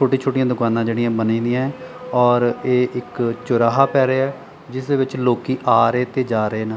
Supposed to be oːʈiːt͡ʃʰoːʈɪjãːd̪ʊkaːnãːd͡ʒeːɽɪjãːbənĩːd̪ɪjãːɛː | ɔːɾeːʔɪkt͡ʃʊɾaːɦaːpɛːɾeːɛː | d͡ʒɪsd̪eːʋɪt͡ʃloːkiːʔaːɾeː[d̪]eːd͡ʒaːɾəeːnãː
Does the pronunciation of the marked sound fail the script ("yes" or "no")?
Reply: yes